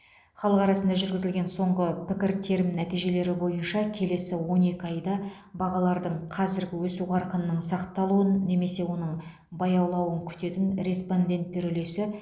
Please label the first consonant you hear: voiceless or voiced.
voiceless